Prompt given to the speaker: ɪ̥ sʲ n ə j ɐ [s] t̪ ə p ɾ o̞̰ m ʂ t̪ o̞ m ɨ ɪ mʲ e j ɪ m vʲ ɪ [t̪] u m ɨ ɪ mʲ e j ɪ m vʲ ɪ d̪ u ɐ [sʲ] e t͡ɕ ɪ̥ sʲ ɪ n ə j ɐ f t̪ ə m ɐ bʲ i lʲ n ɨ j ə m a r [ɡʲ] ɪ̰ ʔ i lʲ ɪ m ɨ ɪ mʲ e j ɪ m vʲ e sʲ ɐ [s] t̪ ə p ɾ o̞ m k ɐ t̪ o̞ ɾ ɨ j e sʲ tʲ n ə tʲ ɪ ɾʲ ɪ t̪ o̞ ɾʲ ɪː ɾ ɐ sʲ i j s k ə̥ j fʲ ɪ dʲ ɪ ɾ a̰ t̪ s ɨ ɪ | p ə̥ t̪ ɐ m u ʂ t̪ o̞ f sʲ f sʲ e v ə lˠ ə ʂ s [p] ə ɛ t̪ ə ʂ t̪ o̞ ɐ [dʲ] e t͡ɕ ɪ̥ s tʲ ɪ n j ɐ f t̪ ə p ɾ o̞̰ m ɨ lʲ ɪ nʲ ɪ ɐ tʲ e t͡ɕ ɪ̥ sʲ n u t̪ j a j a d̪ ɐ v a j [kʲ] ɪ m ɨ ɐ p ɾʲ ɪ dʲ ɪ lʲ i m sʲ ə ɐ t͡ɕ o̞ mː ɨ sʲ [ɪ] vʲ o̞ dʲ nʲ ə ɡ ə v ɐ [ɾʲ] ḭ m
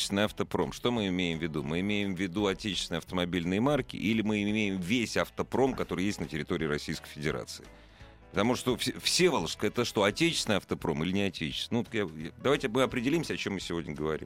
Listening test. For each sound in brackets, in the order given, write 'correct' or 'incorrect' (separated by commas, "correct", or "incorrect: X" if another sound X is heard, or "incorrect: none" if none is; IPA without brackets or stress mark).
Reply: incorrect: f, incorrect: d̪, incorrect: tʲ, incorrect: kʲ, incorrect: f, incorrect: k, incorrect: tʲ, incorrect: tʲ, correct, correct